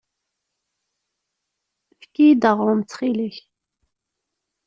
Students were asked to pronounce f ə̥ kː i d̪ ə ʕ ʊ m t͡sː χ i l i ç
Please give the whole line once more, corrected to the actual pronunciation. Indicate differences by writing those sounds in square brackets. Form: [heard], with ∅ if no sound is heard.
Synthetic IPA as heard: f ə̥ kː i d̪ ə [ʁ] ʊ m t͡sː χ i l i ç